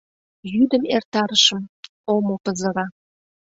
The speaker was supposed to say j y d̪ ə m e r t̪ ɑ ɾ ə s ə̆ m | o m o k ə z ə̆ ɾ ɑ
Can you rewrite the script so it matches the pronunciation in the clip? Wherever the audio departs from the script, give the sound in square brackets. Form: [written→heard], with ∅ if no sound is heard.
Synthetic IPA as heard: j y d̪ ə m e r t̪ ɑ ɾ ə [s→ʃ] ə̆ m | o m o [k→p] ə z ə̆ ɾ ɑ